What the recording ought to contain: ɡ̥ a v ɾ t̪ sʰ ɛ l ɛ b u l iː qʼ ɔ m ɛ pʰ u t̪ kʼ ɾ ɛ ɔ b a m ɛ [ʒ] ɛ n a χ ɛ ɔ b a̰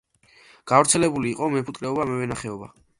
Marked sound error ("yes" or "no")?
yes